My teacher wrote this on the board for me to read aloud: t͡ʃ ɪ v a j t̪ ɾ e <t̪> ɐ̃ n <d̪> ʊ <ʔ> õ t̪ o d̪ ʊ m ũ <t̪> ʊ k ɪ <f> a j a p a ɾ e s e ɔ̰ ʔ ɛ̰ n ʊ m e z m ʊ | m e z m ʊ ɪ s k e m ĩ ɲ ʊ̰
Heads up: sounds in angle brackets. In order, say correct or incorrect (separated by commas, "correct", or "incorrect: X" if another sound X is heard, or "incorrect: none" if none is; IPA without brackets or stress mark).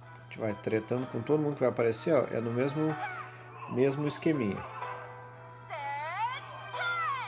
correct, correct, incorrect: k, incorrect: d̪, incorrect: v